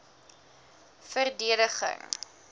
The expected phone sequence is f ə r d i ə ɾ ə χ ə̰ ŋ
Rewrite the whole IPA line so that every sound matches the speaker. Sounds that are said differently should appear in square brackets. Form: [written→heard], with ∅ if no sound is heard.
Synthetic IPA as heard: f ə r d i ə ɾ ə χ ə̰ ŋ

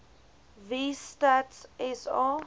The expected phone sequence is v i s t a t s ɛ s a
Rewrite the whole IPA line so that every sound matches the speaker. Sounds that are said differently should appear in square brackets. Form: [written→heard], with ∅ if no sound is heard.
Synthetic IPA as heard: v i s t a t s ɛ s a

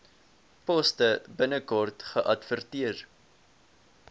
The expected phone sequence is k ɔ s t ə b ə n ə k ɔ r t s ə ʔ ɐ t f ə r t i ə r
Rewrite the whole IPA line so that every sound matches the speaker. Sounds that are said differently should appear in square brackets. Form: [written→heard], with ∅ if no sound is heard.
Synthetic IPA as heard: [k→p] ɔ s t ə b ə n ə k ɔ r t [s→χ] ə ʔ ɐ t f ə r t i ə r

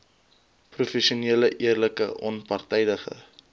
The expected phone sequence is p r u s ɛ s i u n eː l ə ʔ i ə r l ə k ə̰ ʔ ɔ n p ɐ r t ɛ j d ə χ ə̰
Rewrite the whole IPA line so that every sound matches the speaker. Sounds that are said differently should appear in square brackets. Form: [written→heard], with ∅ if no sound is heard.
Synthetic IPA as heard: p r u [s→f] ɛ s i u n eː l ə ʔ i ə r l ə k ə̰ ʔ ɔ n p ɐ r t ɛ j d ə χ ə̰

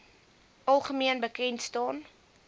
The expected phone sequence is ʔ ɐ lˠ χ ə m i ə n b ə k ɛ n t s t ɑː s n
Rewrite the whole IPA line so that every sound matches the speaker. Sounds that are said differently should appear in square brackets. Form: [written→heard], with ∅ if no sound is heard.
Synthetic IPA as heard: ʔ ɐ lˠ χ ə m i ə n b ə k ɛ n t s t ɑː [s→∅] n

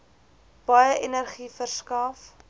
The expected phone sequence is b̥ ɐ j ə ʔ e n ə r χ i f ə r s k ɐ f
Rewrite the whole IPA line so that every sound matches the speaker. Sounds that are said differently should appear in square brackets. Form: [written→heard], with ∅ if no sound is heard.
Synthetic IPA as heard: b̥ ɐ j ə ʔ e n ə r χ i f ə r s k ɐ f

